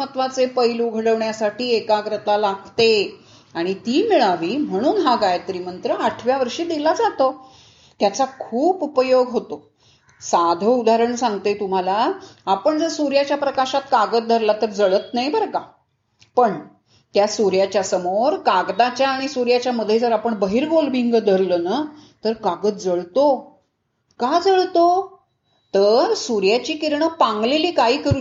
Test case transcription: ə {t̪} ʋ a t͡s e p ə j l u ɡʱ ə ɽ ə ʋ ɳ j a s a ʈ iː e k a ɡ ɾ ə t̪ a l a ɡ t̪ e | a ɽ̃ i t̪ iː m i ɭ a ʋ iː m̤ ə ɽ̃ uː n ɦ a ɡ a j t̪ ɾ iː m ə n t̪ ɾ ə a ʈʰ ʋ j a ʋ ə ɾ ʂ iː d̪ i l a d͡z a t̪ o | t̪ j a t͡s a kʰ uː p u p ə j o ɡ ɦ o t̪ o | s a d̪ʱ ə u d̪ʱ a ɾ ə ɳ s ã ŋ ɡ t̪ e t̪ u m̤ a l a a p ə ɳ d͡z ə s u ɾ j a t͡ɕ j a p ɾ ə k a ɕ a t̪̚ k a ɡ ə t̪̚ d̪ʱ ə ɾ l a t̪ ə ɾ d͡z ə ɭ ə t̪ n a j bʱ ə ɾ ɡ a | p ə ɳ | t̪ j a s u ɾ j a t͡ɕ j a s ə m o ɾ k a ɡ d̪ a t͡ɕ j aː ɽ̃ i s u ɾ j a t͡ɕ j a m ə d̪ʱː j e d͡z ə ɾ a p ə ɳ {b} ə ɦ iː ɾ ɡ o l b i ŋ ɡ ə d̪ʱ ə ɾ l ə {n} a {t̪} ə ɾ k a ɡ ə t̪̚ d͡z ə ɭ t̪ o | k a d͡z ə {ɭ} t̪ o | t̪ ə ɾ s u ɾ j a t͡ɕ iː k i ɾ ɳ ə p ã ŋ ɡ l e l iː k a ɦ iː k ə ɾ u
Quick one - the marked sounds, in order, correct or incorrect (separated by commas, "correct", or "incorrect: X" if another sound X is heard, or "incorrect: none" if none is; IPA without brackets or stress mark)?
correct, correct, correct, correct, correct